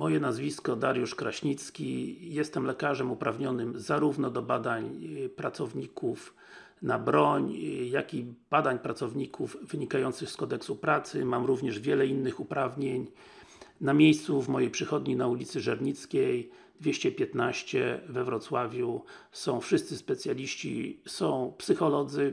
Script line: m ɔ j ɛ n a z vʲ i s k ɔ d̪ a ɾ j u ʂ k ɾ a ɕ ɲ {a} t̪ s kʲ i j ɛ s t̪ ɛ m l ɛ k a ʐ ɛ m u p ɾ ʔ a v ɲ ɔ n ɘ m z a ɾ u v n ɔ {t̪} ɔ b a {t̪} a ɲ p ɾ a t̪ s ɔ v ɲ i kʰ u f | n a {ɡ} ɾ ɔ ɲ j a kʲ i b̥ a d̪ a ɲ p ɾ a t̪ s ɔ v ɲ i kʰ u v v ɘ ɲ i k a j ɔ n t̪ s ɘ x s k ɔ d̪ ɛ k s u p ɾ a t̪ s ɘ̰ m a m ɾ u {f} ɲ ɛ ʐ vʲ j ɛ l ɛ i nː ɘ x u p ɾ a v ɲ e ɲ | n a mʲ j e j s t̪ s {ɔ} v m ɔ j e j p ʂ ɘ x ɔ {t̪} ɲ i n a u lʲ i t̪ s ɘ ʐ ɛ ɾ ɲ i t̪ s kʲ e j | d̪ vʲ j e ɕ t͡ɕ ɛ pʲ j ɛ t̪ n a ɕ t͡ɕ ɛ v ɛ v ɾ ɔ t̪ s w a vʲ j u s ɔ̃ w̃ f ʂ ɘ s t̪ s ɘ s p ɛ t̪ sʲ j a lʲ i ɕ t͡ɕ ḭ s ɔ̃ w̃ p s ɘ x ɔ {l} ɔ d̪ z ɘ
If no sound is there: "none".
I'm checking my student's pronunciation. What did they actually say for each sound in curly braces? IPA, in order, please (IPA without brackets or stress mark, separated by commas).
i, d̪, d̪, b, v, u, d̪, l